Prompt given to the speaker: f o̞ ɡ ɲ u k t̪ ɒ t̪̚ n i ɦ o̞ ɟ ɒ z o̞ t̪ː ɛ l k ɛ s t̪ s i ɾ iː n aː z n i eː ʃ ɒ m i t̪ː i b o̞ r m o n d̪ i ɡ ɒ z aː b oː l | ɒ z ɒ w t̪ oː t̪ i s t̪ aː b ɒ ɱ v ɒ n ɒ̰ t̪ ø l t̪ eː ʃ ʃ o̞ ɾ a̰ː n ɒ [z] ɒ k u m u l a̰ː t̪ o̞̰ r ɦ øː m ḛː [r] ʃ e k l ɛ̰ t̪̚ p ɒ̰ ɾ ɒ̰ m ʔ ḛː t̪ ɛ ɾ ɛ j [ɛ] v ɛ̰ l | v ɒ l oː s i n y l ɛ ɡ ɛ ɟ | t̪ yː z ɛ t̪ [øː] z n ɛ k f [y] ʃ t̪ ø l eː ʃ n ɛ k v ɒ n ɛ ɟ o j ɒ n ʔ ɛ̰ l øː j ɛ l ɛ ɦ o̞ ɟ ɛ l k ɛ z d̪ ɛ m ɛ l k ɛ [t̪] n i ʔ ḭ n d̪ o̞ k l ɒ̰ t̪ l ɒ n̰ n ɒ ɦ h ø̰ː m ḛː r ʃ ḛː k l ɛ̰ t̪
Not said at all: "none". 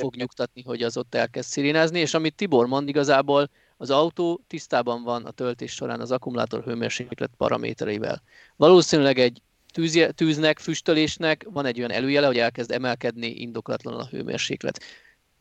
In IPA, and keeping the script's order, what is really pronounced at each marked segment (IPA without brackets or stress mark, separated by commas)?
z, r, i, yː, y, d̪